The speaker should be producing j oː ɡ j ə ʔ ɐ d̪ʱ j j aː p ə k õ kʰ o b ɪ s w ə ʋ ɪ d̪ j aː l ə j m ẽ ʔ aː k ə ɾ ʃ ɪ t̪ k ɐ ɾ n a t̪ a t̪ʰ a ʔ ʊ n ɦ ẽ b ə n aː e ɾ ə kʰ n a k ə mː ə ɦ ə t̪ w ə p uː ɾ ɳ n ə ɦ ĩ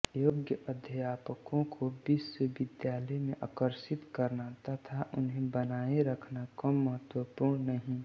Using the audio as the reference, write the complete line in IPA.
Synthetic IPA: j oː ɡ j ə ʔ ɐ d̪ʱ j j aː p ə k õ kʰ o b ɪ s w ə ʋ ɪ d̪ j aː l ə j m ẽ ʔ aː k ə ɾ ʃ ɪ t̪ k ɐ ɾ n a t̪ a t̪ʰ a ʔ ʊ n ɦ ẽ b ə n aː e ɾ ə kʰ n a k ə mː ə ɦ ə t̪ w ə p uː ɾ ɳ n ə ɦ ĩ